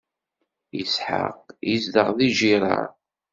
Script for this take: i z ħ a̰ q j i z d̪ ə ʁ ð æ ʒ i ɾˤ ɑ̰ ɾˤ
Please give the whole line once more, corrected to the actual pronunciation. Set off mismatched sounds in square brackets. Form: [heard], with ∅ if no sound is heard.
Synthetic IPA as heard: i [s] ħ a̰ q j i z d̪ ə ʁ ð [i] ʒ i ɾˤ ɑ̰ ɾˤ